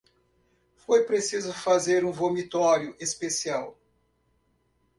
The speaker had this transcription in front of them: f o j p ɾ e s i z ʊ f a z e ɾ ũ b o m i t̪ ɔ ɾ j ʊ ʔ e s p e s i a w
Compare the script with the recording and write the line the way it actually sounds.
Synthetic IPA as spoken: f o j p ɾ e s i z ʊ f a z e ɾ ũ v o m i t̪ ɔ ɾ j ʊ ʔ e s p e s i a w